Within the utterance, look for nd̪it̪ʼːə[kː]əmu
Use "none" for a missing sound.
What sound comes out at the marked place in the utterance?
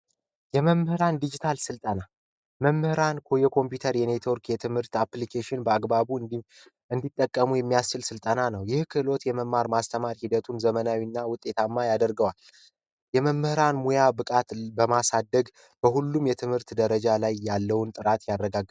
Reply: kʼː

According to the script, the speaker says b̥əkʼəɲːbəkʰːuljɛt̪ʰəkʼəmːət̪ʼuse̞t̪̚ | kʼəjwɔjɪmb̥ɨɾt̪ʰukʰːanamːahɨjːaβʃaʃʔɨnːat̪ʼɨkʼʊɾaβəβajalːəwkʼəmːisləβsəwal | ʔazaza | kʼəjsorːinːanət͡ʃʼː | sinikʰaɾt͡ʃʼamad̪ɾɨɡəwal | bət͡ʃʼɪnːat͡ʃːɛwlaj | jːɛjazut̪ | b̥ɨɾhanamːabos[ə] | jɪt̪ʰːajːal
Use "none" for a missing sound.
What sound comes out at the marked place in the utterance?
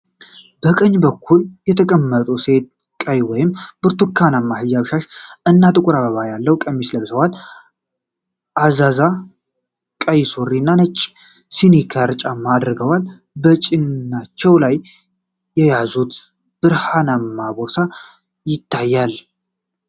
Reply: a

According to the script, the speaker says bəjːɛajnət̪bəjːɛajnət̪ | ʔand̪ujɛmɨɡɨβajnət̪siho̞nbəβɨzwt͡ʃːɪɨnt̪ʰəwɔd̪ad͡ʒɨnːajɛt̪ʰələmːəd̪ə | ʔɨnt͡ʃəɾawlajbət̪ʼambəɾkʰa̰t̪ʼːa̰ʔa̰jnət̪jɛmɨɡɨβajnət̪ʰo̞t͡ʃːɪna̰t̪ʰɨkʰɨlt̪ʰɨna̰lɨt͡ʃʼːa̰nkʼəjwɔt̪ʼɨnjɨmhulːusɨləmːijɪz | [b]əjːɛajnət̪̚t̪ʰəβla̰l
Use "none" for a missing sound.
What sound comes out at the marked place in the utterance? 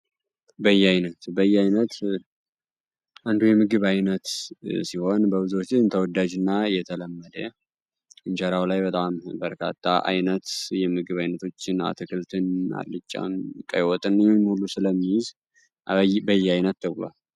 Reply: b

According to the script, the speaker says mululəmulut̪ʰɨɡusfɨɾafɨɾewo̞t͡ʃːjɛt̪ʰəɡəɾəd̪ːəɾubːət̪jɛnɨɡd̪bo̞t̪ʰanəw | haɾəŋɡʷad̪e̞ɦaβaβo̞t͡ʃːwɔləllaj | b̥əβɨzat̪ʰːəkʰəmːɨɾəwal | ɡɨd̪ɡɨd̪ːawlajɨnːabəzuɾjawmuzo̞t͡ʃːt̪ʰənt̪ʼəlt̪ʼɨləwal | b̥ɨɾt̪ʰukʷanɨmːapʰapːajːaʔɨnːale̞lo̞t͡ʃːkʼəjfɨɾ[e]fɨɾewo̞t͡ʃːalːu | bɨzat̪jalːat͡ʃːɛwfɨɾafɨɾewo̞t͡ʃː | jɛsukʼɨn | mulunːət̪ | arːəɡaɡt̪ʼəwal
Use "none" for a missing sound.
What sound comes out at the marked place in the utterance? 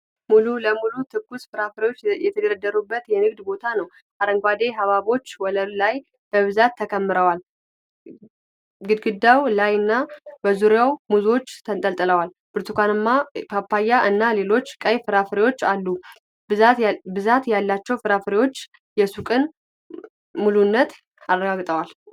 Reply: a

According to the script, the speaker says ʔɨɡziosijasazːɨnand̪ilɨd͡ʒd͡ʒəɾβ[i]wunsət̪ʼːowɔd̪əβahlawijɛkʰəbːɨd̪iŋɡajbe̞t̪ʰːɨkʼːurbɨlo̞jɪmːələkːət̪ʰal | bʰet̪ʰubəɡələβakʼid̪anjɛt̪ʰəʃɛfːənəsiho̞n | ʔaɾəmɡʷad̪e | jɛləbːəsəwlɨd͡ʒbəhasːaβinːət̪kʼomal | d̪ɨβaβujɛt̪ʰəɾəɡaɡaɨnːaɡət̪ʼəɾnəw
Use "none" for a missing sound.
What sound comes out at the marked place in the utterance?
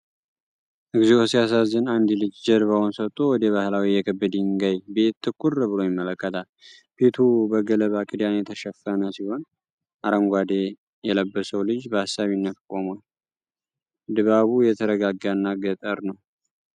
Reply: a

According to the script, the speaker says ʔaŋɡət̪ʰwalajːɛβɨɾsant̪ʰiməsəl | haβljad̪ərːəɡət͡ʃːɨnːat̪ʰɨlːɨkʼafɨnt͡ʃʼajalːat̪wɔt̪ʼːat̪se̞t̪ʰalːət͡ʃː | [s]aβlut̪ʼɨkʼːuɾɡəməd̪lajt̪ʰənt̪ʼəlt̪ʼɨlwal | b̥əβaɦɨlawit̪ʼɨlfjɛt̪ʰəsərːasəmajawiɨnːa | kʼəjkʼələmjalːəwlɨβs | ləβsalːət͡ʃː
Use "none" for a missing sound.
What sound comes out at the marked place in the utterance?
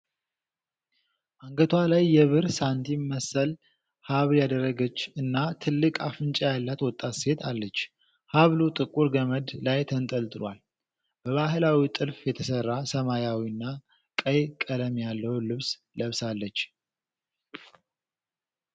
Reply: h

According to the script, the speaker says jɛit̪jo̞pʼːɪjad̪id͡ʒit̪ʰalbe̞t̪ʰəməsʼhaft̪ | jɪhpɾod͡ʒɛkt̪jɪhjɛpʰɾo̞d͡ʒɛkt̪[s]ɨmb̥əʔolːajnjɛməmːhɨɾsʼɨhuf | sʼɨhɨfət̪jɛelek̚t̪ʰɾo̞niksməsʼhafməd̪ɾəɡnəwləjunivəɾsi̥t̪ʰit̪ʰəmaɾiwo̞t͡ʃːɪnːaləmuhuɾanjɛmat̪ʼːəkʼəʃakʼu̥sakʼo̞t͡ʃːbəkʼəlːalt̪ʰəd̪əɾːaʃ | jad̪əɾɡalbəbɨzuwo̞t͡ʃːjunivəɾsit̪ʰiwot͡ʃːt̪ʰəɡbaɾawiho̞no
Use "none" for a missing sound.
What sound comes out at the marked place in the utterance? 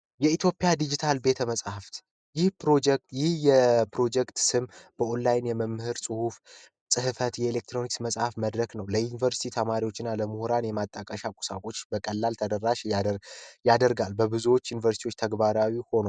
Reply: s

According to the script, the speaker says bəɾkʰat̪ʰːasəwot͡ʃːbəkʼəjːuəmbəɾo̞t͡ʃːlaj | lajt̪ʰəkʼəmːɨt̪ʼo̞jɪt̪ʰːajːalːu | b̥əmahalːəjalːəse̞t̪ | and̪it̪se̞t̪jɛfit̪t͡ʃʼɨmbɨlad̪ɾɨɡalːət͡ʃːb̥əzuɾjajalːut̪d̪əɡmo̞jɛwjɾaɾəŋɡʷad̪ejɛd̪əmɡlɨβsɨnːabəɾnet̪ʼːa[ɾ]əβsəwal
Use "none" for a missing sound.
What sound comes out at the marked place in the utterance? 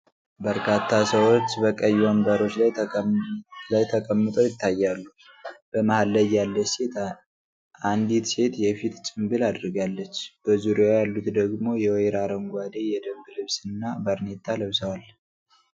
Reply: l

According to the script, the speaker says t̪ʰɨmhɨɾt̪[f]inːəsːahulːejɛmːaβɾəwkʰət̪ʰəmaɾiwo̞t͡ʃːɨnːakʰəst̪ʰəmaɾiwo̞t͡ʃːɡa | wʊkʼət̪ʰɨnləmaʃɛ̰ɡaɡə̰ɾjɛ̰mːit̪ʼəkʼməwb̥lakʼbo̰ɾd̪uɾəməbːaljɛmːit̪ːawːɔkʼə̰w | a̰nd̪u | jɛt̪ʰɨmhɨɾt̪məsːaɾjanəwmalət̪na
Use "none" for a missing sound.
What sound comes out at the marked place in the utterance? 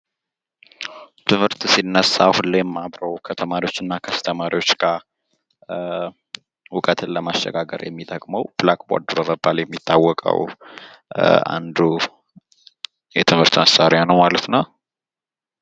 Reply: s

